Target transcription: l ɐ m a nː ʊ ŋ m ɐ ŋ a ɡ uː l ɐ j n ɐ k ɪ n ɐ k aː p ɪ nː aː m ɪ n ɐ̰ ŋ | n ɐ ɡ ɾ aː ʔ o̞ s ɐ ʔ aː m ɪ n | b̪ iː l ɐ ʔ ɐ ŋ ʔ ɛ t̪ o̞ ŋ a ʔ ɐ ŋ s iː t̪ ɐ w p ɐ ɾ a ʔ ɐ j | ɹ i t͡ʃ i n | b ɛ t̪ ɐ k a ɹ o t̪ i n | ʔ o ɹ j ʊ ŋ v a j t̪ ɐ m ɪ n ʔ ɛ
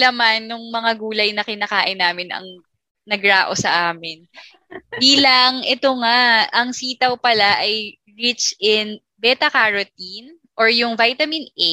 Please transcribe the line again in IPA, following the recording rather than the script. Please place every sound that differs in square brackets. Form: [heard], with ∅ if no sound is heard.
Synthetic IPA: l ɐ m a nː ʊ ŋ m ɐ ŋ a ɡ uː l ɐ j n ɐ k ɪ n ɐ k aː [ʔ] ɪ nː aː m ɪ n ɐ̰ ŋ | n ɐ ɡ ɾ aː ʔ o̞ s ɐ ʔ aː m ɪ n | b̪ iː l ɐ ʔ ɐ ŋ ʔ ɛ t̪ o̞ ŋ a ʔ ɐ ŋ s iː t̪ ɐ w p ɐ [l] a ʔ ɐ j | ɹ i t͡ʃ [ɪ] n | b ɛ t̪ ɐ k a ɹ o t̪ i n | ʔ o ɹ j ʊ ŋ v a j t̪ ɐ m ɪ n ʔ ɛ